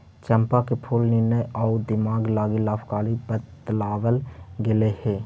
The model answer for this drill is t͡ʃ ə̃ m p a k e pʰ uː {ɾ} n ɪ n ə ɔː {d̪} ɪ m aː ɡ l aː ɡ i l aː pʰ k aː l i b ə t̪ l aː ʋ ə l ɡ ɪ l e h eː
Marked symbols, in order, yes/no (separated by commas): no, yes